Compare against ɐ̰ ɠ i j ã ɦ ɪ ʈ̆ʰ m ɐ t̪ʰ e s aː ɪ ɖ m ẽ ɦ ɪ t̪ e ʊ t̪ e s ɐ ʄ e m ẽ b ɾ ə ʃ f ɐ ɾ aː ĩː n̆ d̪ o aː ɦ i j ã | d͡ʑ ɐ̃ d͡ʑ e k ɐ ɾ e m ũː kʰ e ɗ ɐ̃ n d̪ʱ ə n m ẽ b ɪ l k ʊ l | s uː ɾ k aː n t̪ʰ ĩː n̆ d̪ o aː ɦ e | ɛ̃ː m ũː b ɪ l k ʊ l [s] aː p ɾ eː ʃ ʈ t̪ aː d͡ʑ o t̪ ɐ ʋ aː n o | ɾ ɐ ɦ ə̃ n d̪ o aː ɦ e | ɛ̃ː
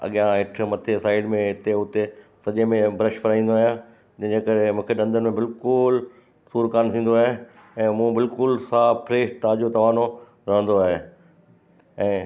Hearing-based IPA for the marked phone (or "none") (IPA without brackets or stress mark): s